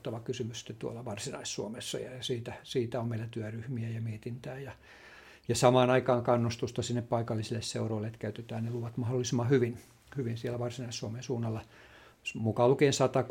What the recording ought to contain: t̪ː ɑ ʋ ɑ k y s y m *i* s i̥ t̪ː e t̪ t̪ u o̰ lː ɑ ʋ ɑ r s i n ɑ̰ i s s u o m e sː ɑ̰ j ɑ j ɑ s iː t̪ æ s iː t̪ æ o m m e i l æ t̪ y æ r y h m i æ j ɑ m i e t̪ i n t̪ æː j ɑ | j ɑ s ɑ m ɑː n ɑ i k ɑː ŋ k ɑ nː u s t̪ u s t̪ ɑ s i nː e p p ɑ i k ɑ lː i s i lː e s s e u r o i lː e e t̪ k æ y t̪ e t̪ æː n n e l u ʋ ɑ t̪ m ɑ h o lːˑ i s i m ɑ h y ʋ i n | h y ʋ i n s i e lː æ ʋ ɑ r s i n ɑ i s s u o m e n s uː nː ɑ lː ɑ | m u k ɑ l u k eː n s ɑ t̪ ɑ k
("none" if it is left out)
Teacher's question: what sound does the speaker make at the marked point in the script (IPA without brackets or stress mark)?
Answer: y